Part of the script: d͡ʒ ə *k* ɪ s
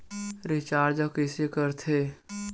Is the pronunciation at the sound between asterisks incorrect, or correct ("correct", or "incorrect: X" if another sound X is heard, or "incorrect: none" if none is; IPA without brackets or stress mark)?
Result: correct